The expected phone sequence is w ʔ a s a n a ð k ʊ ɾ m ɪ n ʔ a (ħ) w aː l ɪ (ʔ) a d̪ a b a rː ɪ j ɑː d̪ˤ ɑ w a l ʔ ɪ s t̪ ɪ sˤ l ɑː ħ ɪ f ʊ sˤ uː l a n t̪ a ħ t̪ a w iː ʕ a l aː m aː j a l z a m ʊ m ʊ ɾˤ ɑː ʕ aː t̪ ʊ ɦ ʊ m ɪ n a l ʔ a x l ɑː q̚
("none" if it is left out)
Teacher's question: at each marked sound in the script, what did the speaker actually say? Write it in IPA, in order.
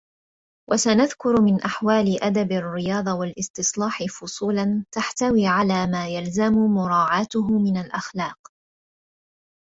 ħ, ʔ

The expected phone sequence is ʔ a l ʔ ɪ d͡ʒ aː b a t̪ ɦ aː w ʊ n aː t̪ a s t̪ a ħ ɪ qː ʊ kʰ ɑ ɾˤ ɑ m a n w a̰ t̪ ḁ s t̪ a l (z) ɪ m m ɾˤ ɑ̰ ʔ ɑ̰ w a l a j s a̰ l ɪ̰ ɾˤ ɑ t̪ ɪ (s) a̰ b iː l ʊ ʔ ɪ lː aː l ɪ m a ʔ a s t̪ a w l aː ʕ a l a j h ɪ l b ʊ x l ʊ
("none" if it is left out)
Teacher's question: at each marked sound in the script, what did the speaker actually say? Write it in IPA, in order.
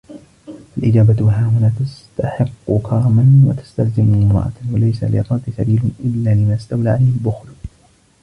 z, s

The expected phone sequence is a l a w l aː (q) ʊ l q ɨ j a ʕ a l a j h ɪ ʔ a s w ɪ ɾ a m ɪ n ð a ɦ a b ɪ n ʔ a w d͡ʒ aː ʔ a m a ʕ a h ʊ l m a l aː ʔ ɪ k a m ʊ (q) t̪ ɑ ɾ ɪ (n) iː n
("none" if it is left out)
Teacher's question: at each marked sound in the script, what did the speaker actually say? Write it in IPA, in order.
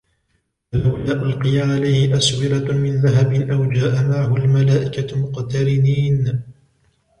ʔ, q, n

